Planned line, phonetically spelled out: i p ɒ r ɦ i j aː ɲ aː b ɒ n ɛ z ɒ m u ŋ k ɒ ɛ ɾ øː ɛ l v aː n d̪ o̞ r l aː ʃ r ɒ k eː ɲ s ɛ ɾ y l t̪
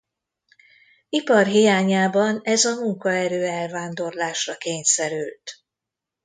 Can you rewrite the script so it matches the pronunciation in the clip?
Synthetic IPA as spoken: i p ɒ r ɦ i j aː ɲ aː b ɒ n ɛ z ɒ m u ŋ k ɒ ɛ ɾ øː ɛ l v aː n d̪ o̞ r l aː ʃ r ɒ k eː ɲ s ɛ ɾ y l t̪